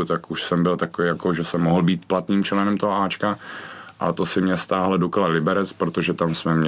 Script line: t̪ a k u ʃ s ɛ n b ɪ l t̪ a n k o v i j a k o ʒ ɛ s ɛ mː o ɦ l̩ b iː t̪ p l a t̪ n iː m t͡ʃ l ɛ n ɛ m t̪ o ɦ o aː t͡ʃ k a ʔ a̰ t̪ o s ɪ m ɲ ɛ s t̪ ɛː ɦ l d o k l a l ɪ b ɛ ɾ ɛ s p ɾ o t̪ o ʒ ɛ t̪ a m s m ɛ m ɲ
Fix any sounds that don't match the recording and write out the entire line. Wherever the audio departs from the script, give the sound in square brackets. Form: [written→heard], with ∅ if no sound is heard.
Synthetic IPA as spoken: t̪ a k u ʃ s ɛ [n→m] b ɪ l t̪ a [n→∅] k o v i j a k o ʒ ɛ s ɛ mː o ɦ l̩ b iː t̪ p l a t̪ n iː m t͡ʃ l ɛ n ɛ m t̪ o ɦ o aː t͡ʃ k a ʔ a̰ t̪ o s ɪ m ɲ ɛ s t̪ [ɛː→aː] ɦ l d o k l a l ɪ b ɛ ɾ ɛ [s→t͡s] p ɾ o t̪ o ʒ ɛ t̪ a m s m ɛ m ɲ